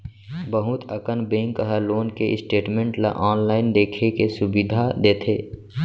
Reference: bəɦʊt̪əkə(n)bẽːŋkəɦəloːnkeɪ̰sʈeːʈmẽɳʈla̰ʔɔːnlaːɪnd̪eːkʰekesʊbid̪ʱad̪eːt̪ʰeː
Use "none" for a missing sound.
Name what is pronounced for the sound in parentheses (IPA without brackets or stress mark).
n